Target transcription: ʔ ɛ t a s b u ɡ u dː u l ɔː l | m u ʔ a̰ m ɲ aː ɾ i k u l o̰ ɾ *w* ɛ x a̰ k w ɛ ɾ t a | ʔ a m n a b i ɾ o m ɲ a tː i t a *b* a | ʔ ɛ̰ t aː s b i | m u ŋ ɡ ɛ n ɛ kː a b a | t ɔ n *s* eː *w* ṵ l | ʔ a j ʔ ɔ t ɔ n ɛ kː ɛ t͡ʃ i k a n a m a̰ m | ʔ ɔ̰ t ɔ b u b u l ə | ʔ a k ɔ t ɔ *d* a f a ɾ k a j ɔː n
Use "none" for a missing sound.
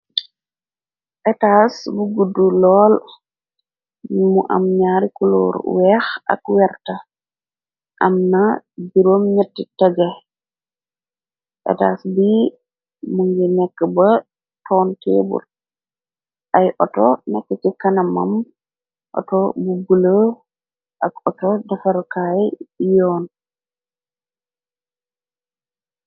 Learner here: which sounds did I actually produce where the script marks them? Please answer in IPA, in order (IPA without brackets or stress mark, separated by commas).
w, ɡ, t, b, d